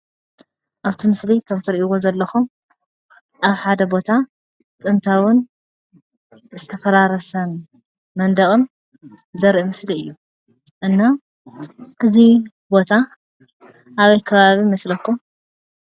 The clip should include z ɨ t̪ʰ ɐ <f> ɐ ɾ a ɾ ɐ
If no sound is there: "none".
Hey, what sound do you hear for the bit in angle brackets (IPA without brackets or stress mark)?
f